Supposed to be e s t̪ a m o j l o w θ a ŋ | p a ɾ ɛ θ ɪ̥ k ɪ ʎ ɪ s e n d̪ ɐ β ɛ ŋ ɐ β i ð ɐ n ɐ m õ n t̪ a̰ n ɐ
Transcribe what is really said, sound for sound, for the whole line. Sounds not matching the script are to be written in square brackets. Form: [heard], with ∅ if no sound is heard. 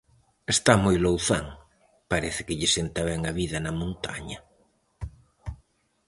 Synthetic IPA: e s t̪ a m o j l o w θ a ŋ | p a ɾ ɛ θ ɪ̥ k ɪ ʎ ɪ s e n [t̪] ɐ β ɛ ŋ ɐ β i ð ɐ n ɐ m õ n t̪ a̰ [ɲ] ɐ